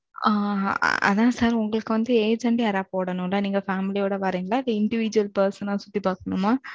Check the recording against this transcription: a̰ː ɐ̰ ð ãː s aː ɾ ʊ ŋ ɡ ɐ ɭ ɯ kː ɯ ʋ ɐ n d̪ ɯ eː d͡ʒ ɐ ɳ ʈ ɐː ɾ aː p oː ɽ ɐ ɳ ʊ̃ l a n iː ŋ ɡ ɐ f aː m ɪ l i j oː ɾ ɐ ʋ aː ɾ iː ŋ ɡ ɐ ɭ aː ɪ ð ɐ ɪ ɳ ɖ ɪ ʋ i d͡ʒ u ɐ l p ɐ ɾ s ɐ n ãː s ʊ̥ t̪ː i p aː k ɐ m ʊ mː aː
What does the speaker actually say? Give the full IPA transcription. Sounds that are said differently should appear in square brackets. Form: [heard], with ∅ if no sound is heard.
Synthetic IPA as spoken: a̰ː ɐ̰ ð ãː s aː ɾ ʊ ŋ ɡ ɐ ɭ ɯ kː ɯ ʋ ɐ n d̪ ɯ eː d͡ʒ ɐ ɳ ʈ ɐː ɾ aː p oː ɽ ɐ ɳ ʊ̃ l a n iː ŋ ɡ ɐ f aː m ɪ l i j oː [ɽ] ɐ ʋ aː ɾ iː ŋ ɡ ɐ ɭ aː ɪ ð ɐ ɪ ɳ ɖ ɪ ʋ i d͡ʒ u ɐ l p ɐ ɾ s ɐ n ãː s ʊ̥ t̪ː i p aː k ɐ [ɳ] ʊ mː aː